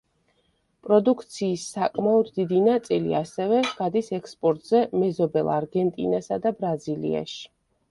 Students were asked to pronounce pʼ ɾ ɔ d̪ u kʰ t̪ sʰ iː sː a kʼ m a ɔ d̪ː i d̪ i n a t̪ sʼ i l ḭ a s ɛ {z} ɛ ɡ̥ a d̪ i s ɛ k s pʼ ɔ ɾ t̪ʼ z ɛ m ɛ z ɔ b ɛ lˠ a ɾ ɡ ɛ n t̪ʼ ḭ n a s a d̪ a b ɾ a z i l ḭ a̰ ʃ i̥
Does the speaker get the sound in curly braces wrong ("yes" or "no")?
yes